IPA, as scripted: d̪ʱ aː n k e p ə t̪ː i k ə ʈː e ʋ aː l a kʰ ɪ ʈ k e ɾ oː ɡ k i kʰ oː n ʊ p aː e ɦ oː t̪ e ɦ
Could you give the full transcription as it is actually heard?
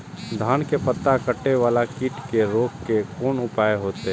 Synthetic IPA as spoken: d̪ʱ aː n k e p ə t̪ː a k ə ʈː e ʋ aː l a k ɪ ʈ k e ɾ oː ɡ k e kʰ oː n ʊ p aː e ɦ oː t̪ e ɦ